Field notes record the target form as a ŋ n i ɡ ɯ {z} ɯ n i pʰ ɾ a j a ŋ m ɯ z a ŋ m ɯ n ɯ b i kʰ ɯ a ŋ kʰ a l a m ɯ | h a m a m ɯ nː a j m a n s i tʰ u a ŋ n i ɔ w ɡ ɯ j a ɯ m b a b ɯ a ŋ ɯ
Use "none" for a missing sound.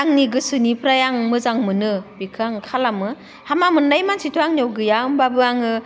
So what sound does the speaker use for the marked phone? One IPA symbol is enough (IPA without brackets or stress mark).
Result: s